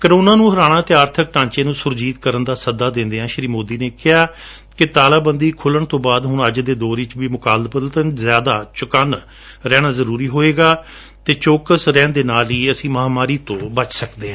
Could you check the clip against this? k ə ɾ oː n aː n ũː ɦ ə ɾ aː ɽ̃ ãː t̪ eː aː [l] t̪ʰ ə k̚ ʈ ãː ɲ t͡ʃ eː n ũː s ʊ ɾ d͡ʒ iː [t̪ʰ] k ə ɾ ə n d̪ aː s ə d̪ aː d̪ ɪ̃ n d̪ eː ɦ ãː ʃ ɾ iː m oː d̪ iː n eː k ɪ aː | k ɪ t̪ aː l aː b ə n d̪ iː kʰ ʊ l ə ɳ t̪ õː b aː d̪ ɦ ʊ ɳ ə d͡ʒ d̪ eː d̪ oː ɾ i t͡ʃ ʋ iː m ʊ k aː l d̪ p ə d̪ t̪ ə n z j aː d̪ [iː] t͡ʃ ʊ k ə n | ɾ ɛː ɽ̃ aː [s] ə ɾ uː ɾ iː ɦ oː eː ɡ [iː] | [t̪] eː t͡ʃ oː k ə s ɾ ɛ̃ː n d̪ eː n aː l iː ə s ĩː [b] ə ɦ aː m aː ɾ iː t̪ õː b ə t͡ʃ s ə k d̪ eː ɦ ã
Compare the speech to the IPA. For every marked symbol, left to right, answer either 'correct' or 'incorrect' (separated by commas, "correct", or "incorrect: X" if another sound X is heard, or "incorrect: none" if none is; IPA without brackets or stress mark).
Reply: incorrect: ɾ, incorrect: t̪, incorrect: aː, incorrect: z, incorrect: aː, correct, incorrect: m